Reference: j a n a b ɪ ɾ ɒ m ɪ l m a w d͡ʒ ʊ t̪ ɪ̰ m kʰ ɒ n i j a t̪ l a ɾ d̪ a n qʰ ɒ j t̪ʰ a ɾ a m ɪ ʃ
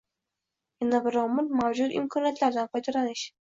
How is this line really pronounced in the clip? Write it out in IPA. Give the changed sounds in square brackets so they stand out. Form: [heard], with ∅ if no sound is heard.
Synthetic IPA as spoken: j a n a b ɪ ɾ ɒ m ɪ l m a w d͡ʒ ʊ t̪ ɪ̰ m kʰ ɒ n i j a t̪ l a ɾ d̪ a n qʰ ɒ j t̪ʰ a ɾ a [n] ɪ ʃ